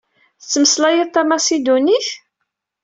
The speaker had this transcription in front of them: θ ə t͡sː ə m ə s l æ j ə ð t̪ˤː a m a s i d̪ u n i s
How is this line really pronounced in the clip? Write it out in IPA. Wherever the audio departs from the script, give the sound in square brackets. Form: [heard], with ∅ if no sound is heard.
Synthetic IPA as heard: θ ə t͡sː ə m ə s l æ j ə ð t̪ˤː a m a s i d̪ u n i [θ]